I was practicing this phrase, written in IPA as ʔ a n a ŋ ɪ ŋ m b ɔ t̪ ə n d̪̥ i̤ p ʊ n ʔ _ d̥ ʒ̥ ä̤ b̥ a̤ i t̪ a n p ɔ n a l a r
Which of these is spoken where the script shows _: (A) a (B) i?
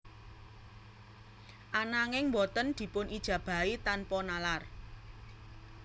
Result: B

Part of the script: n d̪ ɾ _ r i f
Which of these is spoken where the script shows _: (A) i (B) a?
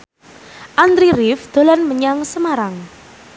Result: A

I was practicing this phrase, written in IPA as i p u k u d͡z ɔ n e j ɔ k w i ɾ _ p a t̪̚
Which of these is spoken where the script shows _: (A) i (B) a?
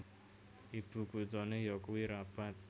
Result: B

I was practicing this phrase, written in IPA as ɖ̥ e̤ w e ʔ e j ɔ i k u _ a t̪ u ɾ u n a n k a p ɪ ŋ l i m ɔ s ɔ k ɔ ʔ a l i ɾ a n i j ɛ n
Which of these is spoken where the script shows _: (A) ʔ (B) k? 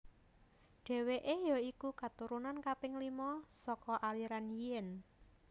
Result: B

